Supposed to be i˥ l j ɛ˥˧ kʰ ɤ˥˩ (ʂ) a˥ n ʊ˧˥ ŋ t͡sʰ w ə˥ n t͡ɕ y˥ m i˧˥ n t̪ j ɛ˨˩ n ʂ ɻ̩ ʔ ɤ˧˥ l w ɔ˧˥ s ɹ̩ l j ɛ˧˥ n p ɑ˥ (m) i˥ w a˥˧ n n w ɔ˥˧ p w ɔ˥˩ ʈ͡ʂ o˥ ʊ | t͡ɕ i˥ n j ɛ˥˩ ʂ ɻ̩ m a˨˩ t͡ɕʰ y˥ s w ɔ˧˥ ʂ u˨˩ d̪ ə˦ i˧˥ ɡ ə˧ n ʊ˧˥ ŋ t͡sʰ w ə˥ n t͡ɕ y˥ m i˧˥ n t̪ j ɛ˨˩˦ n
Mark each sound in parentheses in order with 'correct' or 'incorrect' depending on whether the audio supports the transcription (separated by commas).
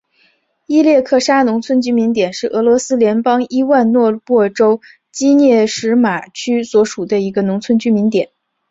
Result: correct, incorrect